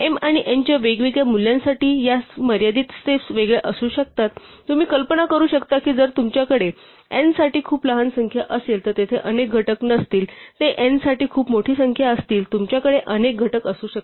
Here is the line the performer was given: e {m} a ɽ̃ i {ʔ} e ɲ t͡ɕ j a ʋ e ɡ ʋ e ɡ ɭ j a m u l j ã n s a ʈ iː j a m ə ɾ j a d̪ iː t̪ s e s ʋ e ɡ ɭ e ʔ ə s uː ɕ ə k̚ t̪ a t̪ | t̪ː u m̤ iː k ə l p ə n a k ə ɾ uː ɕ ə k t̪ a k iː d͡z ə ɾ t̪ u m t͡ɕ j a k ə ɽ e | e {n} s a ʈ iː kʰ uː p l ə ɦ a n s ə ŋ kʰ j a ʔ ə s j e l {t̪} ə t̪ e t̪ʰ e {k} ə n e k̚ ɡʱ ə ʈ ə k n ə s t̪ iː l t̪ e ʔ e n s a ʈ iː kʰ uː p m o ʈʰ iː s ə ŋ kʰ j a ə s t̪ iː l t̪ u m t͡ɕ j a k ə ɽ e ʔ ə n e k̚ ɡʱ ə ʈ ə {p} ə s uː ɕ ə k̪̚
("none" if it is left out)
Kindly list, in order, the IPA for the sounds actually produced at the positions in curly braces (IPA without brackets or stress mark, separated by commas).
m, ʔ, n, t̪, ʔ, k